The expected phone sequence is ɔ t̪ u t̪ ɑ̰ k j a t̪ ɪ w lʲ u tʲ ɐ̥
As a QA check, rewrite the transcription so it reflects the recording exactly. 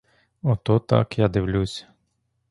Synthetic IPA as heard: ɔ t̪ ɔ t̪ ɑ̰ k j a d̪ ɪ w lʲ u sʲ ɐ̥